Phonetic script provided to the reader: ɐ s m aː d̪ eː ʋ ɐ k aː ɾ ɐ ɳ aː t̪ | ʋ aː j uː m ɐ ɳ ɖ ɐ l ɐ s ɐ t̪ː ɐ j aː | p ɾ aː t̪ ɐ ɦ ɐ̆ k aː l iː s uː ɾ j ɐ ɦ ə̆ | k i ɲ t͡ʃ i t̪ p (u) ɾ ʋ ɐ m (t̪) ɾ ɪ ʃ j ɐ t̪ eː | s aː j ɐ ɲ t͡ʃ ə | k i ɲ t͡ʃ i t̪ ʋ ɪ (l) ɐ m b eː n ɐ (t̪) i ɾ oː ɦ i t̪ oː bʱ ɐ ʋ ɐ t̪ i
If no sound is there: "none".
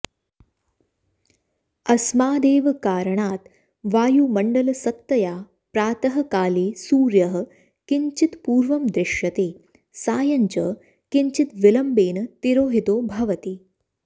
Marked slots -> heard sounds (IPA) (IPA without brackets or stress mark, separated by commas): uː, d̪, l, t̪